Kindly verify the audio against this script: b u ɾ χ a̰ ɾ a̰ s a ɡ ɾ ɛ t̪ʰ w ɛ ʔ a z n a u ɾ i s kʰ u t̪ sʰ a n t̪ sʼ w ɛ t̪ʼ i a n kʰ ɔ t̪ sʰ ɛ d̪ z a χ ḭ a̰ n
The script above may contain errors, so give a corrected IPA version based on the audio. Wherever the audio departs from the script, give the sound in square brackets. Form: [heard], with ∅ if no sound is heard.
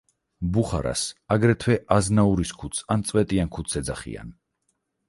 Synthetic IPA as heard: b u [∅] χ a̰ ɾ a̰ s a ɡ ɾ ɛ t̪ʰ w ɛ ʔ a z n a u ɾ i s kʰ u t̪ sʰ a n t̪ sʼ w ɛ t̪ʼ i a n kʰ [u] t̪ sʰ ɛ d̪ z a χ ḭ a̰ n